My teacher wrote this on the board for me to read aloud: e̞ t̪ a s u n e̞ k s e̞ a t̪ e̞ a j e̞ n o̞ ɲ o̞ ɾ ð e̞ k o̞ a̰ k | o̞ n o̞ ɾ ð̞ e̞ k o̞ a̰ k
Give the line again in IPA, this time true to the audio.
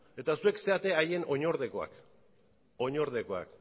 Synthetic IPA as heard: e̞ t̪ a s u e̞ k s e̞ a t̪ e̞ a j e̞ n o̞ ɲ o̞ ɾ ð e̞ k o̞ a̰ k | o̞ ɲ o̞ ɾ ð̞ e̞ k o̞ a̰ k